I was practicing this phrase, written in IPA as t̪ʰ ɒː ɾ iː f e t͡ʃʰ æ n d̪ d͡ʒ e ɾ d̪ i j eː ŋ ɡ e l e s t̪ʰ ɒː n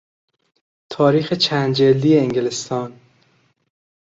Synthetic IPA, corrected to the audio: t̪ʰ ɒː ɾ iː x e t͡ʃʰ æ n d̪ d͡ʒ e l d̪ i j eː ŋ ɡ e l e s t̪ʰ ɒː n